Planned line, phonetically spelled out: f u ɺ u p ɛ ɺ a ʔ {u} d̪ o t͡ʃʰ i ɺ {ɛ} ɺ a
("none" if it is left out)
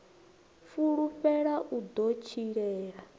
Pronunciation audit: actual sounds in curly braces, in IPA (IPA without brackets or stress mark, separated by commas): u, ɛː